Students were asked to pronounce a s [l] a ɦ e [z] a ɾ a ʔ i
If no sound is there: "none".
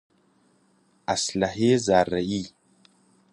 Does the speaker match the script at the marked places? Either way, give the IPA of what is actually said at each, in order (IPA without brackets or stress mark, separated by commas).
l, z